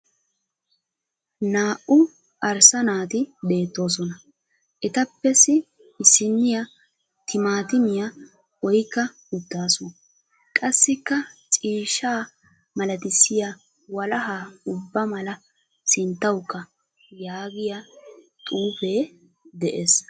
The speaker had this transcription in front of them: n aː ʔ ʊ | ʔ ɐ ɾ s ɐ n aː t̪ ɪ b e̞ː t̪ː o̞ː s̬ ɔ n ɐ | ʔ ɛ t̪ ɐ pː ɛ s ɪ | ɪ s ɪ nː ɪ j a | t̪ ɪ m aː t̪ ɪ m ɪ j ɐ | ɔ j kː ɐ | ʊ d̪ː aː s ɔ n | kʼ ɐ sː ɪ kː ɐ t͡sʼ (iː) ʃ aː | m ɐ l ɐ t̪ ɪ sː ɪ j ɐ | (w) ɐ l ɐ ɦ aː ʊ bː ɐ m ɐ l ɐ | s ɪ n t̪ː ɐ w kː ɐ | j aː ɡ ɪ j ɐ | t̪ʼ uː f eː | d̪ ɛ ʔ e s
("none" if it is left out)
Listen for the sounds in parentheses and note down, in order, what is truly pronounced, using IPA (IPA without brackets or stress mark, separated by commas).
iː, w